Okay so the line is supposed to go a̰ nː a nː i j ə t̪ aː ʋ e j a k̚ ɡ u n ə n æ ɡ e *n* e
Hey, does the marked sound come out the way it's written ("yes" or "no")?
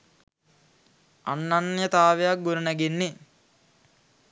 no